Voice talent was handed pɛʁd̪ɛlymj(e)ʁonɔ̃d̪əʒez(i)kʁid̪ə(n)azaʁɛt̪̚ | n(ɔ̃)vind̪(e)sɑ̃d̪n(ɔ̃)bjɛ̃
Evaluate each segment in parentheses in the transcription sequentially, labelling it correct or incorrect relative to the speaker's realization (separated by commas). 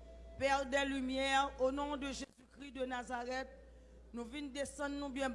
incorrect, incorrect, correct, incorrect, correct, incorrect